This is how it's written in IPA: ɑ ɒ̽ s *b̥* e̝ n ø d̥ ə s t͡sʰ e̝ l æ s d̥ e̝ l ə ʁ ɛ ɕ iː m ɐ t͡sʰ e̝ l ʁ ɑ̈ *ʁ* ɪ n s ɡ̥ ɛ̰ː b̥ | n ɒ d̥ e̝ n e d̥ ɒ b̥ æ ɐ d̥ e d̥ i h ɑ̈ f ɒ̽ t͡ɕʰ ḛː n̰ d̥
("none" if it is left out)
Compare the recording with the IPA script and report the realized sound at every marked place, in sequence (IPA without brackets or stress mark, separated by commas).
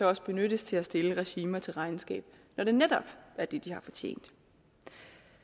b̥, none